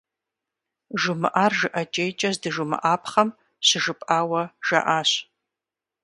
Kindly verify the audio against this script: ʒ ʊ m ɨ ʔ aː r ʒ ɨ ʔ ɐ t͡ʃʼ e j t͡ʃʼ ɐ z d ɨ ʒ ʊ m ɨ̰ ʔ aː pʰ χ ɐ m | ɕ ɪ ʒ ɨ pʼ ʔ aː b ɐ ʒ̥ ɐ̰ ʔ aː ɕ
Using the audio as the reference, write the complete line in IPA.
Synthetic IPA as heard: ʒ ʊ m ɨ ʔ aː r ʒ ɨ ʔ ɐ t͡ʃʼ e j t͡ʃʼ ɐ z d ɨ ʒ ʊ m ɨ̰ ʔ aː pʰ χ ɐ m | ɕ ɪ ʒ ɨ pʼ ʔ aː w ɐ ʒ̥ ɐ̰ ʔ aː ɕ